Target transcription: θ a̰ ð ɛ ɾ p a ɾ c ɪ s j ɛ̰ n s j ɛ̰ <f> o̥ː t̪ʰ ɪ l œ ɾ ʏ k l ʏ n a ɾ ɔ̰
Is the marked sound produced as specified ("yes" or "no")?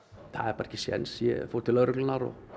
yes